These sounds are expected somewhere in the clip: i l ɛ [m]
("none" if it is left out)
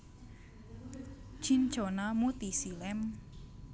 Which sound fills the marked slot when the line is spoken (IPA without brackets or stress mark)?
m